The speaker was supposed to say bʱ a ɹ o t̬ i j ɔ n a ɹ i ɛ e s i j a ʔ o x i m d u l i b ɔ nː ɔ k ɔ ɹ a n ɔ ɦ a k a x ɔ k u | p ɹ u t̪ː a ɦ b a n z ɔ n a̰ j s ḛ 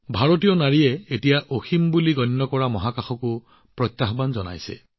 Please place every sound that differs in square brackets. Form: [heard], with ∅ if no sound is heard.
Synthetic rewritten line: bʱ a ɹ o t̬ i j ɔ n a ɹ i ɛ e [t] i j a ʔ o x i m [b] u l i [ɡ] ɔ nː ɔ k ɔ ɹ a [m] ɔ ɦ a k a x ɔ k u | p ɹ [ɔ] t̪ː a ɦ b a n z ɔ n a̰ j s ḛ